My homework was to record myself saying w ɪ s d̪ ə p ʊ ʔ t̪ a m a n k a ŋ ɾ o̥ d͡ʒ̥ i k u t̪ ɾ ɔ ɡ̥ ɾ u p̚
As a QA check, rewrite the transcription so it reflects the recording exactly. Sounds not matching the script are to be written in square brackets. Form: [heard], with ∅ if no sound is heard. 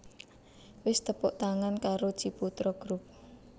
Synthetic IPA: w ɪ s [t̪] ə p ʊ ʔ t̪ a [ŋ] a n k a [∅] ɾ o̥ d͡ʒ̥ i [p] u t̪ ɾ ɔ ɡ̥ ɾ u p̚